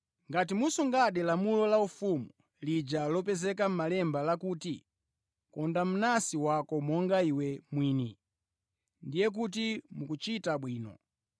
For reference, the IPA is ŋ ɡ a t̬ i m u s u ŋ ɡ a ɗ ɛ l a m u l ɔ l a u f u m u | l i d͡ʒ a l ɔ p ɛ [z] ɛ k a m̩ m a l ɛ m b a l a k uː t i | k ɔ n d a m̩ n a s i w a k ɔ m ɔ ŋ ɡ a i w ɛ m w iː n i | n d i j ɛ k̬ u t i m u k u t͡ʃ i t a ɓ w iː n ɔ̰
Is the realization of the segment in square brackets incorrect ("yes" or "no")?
no